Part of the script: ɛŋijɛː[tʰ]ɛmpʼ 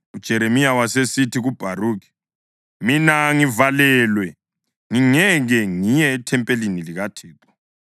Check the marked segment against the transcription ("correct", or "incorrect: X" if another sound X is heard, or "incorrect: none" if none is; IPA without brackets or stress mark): correct